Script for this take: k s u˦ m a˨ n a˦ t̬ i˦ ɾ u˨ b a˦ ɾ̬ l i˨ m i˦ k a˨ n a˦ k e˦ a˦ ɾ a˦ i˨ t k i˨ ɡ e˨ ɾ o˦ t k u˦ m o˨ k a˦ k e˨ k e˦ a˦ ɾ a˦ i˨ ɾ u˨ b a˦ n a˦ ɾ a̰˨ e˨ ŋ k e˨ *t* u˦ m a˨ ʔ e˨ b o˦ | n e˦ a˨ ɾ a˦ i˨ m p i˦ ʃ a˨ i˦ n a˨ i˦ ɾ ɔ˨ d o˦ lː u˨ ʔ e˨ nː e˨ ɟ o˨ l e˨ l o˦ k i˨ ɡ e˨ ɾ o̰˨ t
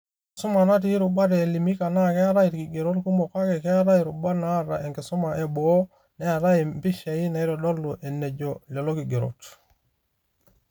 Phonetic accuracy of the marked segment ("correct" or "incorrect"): incorrect